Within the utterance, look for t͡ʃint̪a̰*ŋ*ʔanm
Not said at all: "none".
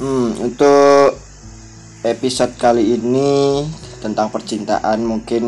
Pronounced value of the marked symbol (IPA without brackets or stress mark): none